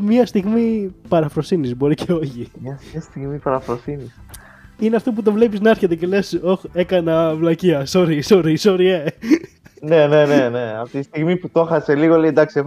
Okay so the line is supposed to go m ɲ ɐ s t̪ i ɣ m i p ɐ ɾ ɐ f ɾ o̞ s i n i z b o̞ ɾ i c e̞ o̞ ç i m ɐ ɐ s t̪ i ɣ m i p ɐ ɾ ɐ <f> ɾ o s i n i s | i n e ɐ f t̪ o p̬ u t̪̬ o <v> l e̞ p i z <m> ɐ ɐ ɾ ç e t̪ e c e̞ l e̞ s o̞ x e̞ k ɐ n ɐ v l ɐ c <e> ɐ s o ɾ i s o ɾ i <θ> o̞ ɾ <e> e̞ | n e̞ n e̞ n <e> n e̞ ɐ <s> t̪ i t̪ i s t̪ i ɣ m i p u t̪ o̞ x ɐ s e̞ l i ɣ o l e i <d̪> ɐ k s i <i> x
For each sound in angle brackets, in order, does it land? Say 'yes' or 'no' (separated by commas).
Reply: yes, yes, no, no, no, no, yes, no, yes, no